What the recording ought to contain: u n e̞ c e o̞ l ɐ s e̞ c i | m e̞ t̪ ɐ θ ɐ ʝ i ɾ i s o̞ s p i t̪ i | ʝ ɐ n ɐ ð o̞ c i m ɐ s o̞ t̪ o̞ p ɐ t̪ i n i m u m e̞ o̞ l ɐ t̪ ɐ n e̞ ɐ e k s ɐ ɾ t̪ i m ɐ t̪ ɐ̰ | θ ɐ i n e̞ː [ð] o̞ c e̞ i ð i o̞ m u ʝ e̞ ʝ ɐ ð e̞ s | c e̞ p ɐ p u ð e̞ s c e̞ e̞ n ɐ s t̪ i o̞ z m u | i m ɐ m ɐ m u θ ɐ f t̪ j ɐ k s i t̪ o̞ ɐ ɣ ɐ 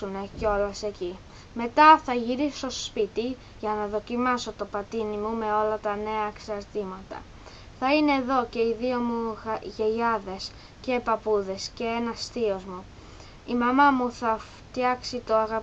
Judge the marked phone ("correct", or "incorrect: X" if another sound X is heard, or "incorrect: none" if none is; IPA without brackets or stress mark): correct